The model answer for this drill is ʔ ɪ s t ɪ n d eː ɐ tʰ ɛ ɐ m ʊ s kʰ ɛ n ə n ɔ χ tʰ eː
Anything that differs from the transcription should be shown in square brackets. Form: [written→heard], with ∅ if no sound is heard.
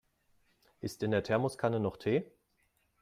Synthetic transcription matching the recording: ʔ ɪ s t ɪ n d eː ɐ tʰ ɛ ɐ m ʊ s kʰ [ɛ→a] n ə n ɔ χ tʰ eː